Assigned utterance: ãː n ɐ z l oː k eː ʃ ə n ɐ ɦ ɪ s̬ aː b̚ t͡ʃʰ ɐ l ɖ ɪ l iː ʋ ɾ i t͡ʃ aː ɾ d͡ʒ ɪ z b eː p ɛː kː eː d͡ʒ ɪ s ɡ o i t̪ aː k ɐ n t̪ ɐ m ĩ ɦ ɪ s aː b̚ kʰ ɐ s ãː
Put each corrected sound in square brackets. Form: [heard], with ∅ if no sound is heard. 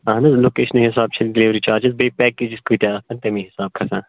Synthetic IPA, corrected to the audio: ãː n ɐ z l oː k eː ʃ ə n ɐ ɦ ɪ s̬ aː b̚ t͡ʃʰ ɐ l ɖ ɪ l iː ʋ ɾ i t͡ʃ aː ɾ d͡ʒ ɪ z b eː p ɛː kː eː d͡ʒ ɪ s [k] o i t̪ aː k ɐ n t̪ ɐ m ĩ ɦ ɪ s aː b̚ kʰ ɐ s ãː